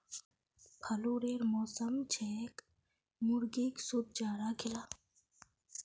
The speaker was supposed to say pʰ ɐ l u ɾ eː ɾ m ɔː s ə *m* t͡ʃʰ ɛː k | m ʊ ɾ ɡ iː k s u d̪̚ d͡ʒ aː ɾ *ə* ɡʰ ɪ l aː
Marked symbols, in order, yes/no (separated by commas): yes, no